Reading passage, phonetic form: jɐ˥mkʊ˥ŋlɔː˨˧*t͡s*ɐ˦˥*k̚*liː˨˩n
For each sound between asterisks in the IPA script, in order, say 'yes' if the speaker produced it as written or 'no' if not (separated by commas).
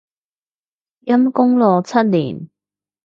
no, no